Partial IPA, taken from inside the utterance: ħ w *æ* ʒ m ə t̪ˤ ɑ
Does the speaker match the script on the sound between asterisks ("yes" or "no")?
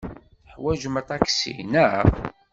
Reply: yes